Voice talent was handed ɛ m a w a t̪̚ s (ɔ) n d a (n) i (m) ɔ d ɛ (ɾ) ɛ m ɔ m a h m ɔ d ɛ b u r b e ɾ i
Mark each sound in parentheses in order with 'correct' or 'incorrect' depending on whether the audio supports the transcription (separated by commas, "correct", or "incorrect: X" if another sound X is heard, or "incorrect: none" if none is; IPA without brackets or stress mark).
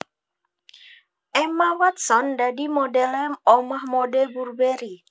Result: correct, incorrect: d, correct, incorrect: l